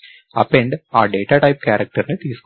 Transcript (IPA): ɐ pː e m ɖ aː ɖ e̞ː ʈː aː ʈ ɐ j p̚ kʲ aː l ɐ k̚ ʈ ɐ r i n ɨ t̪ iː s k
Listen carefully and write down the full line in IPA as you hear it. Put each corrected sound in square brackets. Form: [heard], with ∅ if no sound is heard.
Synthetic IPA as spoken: ɐ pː e [ɳ] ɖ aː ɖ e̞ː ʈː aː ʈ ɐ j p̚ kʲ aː [ɾ] ɐ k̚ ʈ ɐ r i n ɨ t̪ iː s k